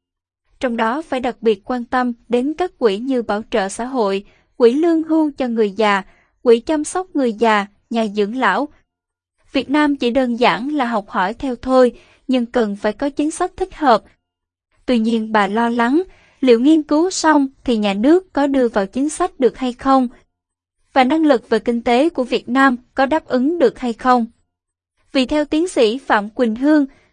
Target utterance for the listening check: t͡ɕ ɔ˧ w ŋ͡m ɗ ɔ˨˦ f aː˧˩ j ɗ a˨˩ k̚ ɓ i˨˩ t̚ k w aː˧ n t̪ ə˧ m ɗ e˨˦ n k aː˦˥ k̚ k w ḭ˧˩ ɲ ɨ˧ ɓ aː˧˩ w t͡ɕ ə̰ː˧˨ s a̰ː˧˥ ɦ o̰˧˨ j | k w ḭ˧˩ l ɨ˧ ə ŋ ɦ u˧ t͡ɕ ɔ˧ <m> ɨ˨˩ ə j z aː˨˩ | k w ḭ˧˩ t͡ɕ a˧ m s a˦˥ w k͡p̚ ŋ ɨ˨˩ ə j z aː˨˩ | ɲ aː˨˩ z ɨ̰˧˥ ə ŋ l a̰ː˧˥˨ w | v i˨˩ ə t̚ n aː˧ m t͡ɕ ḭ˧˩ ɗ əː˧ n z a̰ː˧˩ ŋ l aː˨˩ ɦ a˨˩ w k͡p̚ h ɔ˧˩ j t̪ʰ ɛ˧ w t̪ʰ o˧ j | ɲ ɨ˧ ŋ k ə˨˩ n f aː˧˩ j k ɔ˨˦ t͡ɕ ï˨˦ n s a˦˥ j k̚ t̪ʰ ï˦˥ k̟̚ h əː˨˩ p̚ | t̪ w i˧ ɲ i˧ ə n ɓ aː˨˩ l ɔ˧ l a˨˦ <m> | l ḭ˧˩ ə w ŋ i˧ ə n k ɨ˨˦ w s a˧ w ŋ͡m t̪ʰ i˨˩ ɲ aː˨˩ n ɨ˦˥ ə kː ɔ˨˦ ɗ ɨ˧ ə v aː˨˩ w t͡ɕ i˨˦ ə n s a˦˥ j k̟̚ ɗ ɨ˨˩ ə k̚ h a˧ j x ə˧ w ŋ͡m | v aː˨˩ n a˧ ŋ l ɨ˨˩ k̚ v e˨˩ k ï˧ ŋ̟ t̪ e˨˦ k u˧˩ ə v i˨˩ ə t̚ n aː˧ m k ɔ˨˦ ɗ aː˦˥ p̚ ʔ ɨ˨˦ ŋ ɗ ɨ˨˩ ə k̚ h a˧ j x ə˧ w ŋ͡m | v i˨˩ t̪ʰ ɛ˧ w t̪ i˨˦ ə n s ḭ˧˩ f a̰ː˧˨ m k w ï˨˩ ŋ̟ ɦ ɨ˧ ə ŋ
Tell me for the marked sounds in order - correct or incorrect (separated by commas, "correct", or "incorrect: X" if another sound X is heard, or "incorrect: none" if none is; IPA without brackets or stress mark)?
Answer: incorrect: ŋ, incorrect: ŋ